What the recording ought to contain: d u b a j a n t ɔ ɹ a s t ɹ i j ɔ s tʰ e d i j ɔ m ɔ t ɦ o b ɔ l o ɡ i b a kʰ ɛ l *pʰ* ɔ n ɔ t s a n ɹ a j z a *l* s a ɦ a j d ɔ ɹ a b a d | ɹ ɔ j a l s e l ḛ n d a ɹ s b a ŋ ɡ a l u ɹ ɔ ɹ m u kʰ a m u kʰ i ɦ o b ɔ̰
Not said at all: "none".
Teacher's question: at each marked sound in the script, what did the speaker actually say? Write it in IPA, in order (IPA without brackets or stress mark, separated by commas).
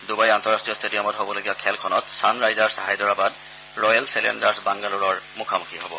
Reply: kʰ, ɹ